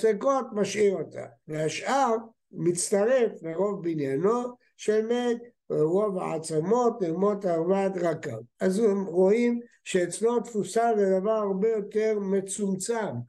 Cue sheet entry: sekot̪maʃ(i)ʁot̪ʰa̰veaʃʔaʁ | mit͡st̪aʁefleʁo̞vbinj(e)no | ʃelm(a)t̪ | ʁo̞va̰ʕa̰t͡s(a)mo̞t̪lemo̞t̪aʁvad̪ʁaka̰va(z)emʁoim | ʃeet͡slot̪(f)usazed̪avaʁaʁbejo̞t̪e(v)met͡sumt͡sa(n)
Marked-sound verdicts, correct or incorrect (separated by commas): correct, incorrect, incorrect, correct, correct, correct, incorrect, incorrect